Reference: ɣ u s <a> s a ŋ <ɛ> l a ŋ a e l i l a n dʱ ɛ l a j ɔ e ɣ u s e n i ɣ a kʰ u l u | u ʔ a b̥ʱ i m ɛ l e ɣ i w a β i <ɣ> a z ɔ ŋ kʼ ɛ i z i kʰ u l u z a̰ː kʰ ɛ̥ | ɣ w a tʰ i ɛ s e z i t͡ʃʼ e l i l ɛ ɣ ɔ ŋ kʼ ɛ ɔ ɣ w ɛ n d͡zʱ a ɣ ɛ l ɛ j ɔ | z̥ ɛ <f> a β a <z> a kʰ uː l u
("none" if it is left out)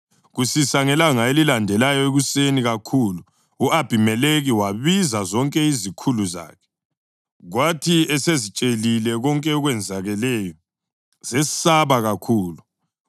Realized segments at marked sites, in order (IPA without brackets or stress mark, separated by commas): i, ɛ, z, s, ɣ